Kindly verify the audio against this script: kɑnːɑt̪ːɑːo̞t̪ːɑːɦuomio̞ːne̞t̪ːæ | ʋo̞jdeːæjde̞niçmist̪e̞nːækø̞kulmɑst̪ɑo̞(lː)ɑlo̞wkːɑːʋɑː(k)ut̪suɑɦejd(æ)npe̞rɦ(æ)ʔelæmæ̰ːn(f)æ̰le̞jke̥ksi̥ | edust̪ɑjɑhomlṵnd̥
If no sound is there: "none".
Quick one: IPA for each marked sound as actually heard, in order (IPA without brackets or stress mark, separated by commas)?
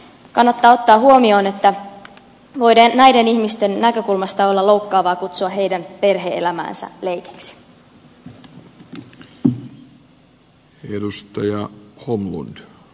lː, k, æ, e, s